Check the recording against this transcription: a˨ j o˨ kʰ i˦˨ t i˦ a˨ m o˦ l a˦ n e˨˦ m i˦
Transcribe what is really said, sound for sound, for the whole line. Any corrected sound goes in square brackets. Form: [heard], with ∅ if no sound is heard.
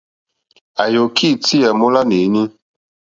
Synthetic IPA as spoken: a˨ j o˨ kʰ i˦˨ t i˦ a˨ m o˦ l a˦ n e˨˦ [ɲ] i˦